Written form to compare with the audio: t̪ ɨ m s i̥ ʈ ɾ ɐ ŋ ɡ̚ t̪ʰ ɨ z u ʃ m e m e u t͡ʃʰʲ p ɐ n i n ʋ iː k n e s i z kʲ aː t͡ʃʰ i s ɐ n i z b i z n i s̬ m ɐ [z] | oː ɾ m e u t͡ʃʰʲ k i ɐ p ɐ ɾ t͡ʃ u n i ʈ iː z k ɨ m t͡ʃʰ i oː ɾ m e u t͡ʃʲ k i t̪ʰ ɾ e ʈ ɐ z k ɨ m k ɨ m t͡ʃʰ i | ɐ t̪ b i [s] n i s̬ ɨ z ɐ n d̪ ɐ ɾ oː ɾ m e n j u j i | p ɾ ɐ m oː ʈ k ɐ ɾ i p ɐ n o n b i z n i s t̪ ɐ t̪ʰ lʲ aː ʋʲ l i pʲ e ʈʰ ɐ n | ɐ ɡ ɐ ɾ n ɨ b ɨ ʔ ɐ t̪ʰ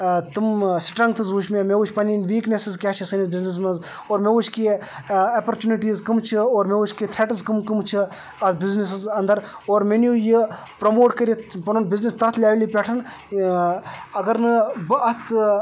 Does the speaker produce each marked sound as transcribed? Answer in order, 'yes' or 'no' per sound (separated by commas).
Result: yes, no